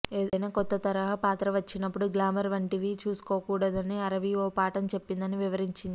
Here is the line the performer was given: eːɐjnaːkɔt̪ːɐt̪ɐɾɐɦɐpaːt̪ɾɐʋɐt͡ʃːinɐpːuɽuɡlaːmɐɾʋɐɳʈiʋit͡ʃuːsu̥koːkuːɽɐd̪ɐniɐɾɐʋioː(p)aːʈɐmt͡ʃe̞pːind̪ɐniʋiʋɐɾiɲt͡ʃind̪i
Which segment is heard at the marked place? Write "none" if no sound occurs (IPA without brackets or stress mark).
p